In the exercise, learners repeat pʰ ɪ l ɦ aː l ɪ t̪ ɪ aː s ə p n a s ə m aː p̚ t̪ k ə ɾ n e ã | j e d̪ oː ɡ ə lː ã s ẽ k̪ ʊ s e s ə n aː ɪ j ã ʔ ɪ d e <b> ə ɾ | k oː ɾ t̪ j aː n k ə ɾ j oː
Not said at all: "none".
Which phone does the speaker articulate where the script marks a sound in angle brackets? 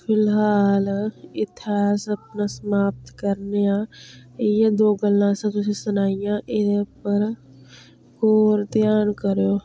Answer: p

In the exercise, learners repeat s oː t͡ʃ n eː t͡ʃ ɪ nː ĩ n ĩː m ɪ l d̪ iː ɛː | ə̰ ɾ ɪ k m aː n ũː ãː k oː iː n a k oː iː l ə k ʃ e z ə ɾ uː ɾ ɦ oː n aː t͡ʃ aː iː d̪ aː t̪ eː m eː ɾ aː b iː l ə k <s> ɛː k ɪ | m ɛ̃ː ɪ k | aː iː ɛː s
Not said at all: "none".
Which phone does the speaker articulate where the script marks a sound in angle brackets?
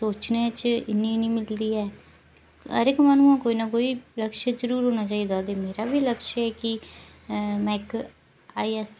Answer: ʃ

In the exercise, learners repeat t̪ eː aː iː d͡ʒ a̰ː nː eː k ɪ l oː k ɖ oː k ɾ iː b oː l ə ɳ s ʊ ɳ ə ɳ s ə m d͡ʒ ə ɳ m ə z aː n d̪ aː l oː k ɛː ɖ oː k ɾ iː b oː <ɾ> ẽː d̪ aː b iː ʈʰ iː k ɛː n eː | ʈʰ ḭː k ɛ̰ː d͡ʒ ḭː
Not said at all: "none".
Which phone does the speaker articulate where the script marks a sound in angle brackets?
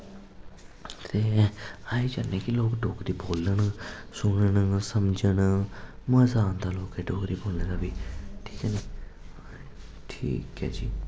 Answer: l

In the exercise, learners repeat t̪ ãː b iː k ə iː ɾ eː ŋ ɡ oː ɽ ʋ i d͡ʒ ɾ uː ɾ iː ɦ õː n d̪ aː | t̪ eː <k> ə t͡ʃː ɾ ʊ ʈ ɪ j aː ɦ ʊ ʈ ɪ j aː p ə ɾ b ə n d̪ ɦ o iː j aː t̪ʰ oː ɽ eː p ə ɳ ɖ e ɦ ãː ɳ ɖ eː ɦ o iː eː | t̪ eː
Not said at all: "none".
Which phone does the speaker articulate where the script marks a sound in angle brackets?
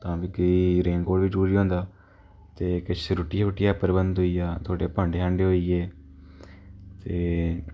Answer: k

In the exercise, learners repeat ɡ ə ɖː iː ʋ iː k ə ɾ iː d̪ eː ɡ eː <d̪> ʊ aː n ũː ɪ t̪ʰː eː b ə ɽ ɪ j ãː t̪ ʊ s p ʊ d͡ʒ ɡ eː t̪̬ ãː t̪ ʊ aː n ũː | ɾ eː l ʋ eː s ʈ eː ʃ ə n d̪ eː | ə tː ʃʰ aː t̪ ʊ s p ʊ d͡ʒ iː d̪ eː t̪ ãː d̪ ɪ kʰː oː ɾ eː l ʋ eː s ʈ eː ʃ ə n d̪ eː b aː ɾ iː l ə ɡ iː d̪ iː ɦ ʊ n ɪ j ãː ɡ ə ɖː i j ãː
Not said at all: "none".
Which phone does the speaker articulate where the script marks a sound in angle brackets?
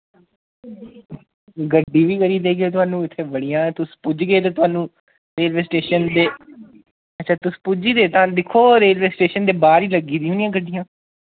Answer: t̪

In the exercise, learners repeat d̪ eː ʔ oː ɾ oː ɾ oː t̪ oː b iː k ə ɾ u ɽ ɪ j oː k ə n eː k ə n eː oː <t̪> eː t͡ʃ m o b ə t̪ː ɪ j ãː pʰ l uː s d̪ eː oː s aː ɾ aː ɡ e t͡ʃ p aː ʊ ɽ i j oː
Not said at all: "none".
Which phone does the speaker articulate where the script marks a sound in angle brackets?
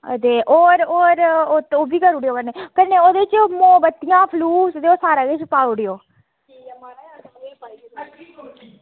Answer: d̪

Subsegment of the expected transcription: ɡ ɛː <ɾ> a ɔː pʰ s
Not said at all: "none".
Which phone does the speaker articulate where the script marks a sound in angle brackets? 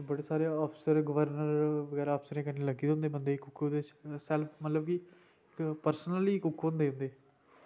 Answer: ɾ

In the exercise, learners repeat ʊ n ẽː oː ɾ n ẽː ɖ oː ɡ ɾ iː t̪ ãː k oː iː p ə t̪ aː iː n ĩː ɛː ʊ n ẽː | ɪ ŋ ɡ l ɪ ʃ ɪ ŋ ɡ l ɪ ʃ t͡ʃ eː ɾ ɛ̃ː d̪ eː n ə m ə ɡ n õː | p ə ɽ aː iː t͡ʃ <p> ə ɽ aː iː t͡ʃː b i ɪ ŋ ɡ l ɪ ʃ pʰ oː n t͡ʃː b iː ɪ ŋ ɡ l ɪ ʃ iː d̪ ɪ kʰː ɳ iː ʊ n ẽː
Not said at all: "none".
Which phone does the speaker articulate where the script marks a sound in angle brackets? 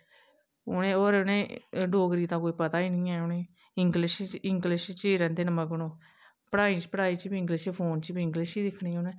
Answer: p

